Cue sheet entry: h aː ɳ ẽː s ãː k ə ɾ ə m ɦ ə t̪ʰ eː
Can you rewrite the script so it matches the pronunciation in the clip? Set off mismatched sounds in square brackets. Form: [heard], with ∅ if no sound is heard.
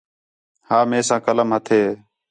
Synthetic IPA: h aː [m] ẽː s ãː k ə [l] ə m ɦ ə t̪ʰ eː